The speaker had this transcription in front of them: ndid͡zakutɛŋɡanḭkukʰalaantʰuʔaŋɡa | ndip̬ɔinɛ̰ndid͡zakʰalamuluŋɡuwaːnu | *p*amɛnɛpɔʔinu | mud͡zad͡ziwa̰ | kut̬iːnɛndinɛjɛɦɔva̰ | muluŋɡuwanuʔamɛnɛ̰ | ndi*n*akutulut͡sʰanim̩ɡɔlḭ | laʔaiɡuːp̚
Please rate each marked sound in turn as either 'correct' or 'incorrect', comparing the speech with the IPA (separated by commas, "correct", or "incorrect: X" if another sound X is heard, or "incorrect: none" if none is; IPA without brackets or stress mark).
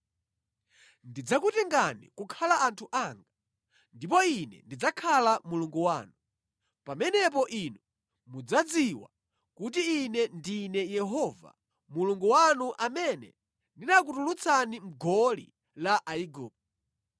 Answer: correct, correct